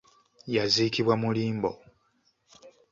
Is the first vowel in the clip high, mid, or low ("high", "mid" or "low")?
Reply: low